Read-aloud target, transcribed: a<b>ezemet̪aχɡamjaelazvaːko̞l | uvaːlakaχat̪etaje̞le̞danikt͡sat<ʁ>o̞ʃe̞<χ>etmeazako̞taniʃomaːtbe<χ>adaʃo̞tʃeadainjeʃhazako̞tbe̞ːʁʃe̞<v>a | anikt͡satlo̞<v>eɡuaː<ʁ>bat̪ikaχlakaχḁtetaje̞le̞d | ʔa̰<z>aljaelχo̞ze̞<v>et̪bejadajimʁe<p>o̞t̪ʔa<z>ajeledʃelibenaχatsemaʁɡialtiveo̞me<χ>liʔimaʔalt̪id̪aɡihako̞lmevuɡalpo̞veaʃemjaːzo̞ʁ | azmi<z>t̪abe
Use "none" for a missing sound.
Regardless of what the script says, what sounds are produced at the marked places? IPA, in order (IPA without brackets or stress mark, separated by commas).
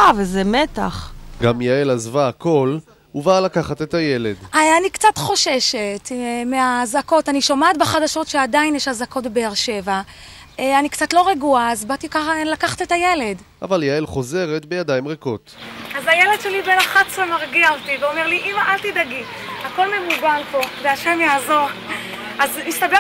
v, χ, ʃ, χ, v, ʁ, z, v, ʁ, k, z, ʁ, s